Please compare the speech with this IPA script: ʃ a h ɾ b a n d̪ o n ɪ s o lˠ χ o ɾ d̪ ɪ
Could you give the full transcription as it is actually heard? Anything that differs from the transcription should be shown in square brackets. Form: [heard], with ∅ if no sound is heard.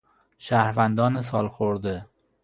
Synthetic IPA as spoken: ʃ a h ɾ [v] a n d̪ [ɒ] n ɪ s [ɒ] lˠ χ o ɾ d̪ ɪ